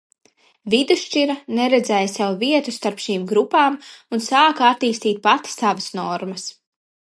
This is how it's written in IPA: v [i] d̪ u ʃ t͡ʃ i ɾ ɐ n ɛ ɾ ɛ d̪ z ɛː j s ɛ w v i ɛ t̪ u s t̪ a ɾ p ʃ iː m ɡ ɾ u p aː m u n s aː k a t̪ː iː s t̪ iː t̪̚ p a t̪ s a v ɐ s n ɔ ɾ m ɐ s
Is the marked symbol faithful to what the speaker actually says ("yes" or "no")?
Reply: yes